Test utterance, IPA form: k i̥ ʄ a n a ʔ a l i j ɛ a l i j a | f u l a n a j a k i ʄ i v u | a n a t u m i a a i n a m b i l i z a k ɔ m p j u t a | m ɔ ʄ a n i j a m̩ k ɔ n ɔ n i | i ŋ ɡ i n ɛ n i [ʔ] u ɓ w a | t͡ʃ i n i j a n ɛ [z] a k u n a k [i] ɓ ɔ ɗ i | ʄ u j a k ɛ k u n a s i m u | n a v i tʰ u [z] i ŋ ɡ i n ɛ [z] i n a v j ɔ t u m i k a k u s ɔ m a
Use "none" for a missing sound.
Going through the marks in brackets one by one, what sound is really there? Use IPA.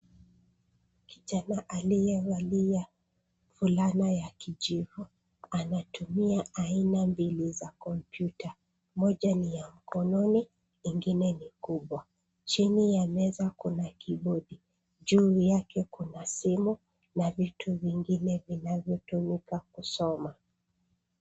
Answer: k, z, i, v, v

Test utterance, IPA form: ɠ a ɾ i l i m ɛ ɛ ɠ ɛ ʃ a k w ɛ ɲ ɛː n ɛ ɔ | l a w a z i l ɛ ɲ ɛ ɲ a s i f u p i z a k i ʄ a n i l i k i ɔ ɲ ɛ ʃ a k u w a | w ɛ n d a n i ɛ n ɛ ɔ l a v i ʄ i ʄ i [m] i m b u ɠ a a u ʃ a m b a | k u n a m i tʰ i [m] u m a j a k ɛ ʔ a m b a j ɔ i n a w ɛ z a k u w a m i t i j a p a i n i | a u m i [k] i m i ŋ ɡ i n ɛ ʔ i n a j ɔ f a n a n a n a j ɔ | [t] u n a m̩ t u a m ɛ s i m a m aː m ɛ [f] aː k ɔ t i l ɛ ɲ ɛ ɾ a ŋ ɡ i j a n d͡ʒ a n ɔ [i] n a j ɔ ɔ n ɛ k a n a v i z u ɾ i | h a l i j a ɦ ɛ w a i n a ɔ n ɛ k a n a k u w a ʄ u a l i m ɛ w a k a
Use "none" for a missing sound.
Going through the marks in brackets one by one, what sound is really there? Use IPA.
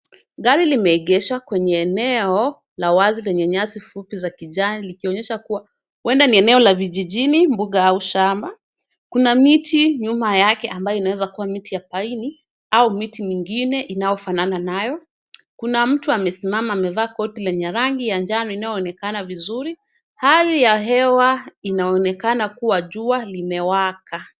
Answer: n, ɲ, t, k, v, i

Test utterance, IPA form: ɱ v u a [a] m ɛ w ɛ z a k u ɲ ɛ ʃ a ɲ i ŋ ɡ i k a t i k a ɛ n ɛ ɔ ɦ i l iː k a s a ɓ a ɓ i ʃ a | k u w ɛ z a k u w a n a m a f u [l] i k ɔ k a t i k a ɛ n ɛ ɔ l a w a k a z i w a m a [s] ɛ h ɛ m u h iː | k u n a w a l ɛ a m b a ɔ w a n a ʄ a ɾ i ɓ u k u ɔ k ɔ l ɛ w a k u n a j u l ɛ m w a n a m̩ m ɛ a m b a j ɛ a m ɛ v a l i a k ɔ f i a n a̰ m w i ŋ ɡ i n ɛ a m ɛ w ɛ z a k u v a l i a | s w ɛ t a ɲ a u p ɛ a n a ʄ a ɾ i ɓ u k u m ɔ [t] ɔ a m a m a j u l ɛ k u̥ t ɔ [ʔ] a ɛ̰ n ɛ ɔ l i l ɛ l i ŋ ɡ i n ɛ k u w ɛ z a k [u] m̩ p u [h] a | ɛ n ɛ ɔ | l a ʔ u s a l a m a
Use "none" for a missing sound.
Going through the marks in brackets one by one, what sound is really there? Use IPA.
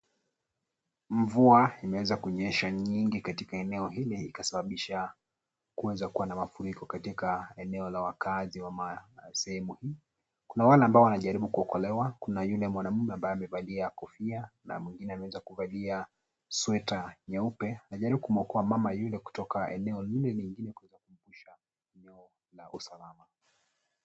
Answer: i, ɾ, s, k, k, u, ʃ

